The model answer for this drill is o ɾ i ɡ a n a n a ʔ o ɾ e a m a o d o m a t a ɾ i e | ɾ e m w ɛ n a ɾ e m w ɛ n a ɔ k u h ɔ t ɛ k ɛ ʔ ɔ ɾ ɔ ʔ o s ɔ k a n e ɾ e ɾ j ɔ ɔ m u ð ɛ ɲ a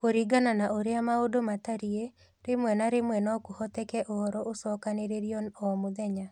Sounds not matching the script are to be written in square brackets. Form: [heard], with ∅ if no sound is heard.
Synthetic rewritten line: o ɾ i ɡ a n a n a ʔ o ɾ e a m a o d o m a t a ɾ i e | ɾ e m w ɛ n a ɾ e m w ɛ n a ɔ k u h ɔ t ɛ k ɛ ʔ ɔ ɾ ɔ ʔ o s ɔ k a n e ɾ e ɾ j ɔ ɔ m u ð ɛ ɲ a